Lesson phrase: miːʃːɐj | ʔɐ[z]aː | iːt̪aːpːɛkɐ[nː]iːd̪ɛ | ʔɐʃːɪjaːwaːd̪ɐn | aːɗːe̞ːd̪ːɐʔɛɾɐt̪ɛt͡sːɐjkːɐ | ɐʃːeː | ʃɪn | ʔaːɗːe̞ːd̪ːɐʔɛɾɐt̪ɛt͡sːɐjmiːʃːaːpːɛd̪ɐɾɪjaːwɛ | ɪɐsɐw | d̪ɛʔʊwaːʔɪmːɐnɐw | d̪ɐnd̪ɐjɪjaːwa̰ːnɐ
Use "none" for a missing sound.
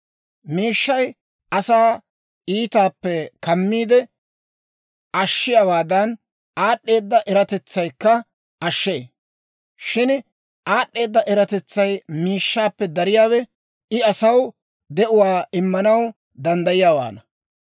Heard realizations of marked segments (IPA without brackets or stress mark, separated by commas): s, mː